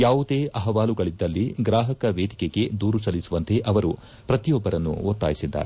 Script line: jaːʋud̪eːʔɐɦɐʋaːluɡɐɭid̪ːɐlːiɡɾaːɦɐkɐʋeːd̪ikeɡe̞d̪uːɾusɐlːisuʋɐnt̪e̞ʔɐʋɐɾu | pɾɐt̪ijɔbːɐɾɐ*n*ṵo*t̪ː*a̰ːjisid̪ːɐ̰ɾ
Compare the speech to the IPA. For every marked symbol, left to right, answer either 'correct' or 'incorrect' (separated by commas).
incorrect, correct